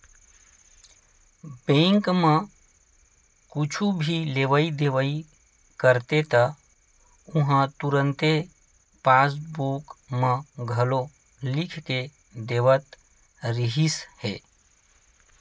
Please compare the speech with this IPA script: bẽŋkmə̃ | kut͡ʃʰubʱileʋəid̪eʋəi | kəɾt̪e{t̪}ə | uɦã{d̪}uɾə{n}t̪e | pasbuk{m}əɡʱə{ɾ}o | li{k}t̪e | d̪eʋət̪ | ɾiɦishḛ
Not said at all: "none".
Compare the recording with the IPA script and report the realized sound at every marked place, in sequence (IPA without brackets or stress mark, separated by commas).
t̪, t̪, n, m, l, kʰ